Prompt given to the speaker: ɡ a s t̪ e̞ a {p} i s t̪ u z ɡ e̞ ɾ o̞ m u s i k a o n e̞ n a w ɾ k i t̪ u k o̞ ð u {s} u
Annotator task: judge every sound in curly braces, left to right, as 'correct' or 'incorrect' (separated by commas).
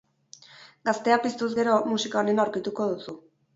correct, correct